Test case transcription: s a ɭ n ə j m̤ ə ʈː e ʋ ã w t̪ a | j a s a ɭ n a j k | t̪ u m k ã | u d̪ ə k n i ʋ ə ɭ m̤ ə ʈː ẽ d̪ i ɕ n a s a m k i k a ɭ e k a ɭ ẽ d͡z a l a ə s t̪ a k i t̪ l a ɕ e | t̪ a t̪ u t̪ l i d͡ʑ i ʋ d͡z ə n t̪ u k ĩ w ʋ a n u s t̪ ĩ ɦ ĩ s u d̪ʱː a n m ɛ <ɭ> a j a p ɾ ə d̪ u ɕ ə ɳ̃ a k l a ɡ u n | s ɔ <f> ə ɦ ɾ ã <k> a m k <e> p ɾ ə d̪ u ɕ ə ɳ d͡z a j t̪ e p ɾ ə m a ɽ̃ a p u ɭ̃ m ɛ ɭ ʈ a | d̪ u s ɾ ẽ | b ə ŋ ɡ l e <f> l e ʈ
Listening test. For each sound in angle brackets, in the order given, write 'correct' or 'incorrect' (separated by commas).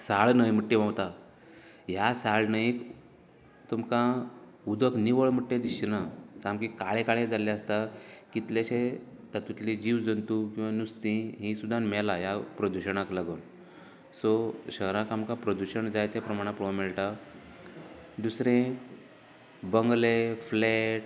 incorrect, incorrect, correct, incorrect, correct